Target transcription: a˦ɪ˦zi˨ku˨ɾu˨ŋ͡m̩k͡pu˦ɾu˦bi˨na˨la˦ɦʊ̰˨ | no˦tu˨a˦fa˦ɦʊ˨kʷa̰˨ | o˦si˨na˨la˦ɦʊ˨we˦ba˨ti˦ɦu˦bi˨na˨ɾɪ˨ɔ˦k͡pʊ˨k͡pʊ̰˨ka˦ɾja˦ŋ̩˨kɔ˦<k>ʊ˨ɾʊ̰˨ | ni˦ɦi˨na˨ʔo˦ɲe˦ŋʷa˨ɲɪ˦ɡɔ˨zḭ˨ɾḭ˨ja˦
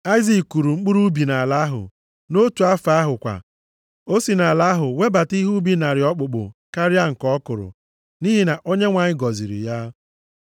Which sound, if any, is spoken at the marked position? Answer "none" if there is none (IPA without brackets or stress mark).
k